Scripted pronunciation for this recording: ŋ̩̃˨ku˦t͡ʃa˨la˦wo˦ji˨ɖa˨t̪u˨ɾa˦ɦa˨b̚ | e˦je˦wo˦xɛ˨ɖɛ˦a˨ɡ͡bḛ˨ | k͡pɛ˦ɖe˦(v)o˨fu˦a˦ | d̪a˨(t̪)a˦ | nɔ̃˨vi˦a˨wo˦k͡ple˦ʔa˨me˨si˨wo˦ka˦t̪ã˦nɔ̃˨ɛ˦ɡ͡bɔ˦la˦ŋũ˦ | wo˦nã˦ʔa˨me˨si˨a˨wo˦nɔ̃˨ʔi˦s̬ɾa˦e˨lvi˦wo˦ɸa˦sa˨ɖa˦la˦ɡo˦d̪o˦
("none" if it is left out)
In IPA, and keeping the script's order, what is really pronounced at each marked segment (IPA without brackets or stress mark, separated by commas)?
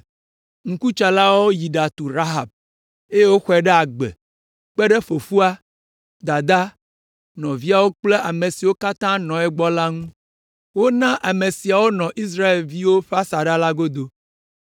f, d̪